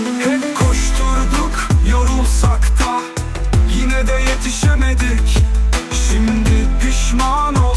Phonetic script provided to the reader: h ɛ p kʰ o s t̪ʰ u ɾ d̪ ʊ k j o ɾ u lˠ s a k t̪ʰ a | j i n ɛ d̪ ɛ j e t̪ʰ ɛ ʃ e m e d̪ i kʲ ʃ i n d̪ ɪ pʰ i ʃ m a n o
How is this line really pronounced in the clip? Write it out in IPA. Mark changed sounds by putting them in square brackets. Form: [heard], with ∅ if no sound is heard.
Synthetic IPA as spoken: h ɛ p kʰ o [ʃ] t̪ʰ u ɾ d̪ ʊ k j o ɾ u lˠ s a k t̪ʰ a | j i n ɛ d̪ ɛ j e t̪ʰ [i] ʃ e m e d̪ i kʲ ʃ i [m] d̪ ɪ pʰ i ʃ m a n o